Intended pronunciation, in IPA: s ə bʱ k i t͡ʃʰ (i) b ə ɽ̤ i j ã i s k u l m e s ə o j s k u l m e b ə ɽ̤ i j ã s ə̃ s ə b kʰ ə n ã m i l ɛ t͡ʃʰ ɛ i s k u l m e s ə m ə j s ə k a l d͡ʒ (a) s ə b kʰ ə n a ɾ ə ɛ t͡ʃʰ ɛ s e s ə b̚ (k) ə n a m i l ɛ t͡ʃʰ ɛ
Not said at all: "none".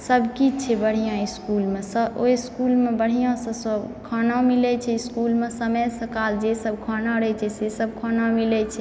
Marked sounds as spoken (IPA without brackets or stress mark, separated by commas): ɛ, e, kʰ